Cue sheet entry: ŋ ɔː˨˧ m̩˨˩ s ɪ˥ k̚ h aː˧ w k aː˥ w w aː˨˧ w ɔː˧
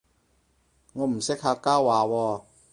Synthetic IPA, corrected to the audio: ŋ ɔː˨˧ m̩˨˩ s ɪ˥ k̚ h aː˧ k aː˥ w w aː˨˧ w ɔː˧